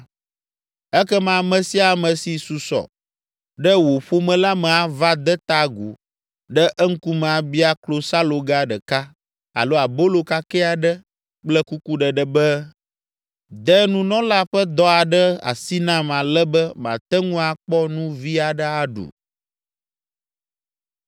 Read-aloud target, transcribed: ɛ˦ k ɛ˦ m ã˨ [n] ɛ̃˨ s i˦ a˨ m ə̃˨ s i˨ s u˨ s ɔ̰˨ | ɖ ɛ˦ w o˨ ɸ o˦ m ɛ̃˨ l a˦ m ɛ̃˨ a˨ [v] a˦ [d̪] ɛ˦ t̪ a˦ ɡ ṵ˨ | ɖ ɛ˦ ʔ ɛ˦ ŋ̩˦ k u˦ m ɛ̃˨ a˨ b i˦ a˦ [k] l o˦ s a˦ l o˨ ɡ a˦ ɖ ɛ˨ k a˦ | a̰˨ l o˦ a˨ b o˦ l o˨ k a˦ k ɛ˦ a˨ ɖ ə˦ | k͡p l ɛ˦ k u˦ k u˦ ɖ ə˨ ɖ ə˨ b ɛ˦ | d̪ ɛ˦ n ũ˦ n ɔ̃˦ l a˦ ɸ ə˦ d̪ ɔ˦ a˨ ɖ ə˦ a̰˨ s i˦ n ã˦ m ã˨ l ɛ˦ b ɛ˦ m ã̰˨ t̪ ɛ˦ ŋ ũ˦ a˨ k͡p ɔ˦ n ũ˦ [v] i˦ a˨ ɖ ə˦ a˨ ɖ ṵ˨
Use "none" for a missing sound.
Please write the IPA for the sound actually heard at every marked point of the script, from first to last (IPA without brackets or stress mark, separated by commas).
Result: m, v, d̪, k, v